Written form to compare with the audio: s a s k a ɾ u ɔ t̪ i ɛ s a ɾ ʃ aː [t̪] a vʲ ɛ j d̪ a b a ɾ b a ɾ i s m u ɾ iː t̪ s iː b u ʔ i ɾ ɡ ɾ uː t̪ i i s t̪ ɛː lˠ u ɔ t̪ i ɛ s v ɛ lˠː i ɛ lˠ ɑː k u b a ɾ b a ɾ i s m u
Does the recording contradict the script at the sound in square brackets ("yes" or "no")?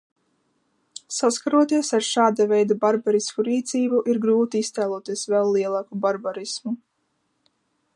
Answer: yes